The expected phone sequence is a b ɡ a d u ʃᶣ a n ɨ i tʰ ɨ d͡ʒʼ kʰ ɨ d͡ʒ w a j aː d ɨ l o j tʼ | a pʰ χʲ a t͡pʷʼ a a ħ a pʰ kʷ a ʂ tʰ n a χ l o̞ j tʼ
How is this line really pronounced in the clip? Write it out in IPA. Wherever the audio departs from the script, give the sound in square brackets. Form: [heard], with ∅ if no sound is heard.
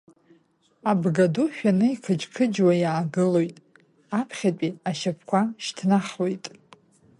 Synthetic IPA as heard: a b ɡ a d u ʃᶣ a n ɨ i [kʰ] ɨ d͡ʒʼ kʰ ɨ d͡ʒ w a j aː [ɡ] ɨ l o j tʼ | a pʰ χʲ a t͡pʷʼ [i] a [ʃ] a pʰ kʷ a [ʃ] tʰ n a χ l o̞ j tʼ